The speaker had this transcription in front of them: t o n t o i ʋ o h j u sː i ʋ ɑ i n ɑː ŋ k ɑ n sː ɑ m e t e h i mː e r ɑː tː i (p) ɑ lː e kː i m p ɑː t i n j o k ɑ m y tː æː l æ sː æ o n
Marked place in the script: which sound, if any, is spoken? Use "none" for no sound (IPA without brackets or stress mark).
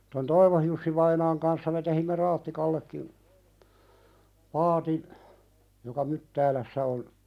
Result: k